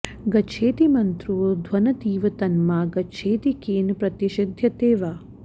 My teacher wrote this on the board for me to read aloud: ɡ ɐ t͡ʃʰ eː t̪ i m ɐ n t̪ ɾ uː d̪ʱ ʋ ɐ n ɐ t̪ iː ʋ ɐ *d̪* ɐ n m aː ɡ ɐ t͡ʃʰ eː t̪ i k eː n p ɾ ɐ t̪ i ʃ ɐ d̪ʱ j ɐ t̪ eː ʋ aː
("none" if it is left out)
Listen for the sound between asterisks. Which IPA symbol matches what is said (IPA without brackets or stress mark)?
t̪